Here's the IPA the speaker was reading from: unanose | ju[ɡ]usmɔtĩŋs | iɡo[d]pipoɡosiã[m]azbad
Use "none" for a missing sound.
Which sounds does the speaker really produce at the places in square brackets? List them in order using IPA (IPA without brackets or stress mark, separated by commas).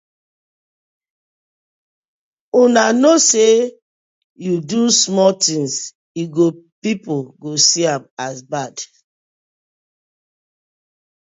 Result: d, none, m